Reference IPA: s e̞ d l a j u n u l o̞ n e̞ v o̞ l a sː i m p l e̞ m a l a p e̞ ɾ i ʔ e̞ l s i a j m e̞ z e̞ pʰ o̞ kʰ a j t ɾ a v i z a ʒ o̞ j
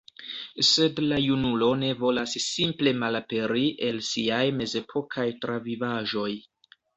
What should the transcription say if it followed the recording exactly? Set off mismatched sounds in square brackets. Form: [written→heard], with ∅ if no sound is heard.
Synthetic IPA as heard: s e̞ d l a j u n u l o̞ n e̞ v o̞ l a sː i m p l e̞ m a l a p e̞ ɾ i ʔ e̞ l s i a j m e̞ z e̞ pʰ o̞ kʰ a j t ɾ a v i [z→v] a ʒ o̞ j